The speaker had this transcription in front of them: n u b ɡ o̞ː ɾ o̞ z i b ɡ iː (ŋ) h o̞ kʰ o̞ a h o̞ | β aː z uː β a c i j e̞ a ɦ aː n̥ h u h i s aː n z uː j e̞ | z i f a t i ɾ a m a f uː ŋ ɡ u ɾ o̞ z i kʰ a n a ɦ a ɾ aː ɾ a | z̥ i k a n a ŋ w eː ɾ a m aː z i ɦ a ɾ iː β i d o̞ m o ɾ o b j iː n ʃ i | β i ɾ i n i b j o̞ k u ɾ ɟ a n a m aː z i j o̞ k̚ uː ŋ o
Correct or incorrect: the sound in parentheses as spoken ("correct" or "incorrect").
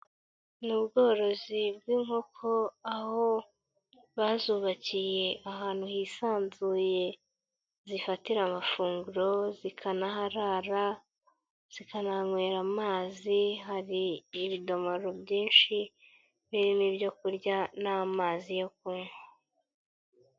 correct